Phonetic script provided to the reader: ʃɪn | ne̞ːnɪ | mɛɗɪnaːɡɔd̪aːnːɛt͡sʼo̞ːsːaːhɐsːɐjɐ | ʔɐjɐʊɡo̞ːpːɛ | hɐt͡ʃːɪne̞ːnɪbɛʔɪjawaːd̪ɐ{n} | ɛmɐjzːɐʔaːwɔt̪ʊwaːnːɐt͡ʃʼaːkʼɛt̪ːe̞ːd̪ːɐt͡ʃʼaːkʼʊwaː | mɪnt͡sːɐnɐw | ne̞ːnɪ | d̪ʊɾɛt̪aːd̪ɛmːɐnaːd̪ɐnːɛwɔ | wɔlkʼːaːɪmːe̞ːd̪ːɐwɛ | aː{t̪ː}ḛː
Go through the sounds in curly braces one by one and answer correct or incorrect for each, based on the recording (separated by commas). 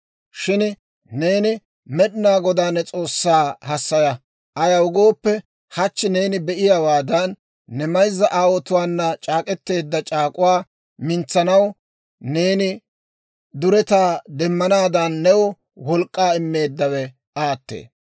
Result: incorrect, correct